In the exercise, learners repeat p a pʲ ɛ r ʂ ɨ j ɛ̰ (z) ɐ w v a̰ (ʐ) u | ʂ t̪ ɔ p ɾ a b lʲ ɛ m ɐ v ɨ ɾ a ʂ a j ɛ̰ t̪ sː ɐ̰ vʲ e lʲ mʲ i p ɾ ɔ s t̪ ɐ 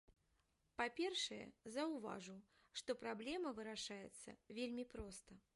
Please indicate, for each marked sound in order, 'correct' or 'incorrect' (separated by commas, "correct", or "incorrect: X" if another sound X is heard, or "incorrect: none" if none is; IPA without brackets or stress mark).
correct, correct